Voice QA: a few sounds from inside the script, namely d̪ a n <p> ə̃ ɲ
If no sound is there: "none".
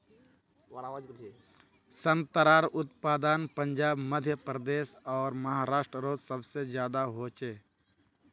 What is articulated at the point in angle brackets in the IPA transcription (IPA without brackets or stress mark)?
p